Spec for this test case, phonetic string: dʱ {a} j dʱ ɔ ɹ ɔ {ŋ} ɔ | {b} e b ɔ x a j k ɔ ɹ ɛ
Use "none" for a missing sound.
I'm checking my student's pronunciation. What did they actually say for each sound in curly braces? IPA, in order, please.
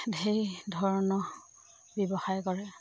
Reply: e, n, b

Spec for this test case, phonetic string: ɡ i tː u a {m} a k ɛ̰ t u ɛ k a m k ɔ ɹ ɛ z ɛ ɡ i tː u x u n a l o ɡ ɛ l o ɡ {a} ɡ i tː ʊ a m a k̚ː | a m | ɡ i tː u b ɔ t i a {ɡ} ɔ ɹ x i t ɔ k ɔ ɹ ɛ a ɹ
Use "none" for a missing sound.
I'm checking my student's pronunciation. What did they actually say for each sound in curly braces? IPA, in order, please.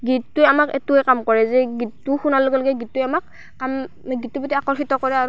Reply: m, ɛ, k

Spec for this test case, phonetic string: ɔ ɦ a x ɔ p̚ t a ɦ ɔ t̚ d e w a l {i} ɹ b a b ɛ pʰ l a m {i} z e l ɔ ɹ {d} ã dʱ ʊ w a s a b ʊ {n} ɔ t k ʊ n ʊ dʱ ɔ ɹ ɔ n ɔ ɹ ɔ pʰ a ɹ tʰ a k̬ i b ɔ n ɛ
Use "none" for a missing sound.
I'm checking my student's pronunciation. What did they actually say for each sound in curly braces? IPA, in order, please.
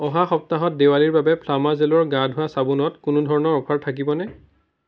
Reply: i, a, ɡ, n

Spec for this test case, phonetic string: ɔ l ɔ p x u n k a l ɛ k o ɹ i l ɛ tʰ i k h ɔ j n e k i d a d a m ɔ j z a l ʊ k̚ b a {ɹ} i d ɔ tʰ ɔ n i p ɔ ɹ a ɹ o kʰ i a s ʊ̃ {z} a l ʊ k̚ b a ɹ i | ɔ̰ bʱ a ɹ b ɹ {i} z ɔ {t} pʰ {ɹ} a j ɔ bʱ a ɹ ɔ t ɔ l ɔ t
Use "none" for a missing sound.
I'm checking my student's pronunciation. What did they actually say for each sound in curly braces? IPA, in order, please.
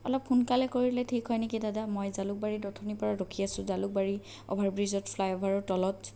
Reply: ɹ, z, i, t, l

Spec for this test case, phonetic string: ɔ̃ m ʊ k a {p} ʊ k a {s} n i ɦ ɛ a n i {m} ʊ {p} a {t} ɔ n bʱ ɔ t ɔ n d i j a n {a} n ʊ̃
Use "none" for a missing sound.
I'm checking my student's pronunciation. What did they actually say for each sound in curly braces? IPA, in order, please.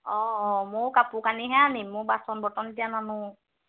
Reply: p, none, m, b, s, a

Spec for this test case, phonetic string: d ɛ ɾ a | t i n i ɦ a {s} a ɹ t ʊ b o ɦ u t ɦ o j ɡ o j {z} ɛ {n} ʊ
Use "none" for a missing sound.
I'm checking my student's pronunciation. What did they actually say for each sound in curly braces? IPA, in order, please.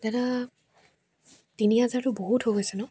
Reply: z, s, n

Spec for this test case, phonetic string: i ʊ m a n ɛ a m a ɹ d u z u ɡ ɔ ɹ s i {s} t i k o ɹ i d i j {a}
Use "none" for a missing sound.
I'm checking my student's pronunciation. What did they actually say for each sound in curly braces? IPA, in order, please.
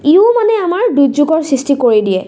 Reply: s, ɛ

